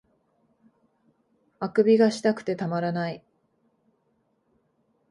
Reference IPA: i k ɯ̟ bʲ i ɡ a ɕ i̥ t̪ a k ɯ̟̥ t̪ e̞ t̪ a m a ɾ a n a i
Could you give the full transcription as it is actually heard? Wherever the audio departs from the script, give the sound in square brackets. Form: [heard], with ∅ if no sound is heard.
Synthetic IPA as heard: [a] k ɯ̟ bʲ i ɡ a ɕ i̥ t̪ a k ɯ̟̥ t̪ e̞ t̪ a m a ɾ a n a i